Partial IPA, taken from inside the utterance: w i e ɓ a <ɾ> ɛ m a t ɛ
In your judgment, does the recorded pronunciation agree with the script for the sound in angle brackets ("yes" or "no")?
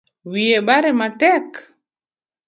yes